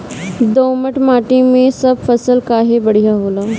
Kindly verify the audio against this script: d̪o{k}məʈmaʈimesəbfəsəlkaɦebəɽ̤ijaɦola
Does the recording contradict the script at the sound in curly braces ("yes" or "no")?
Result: yes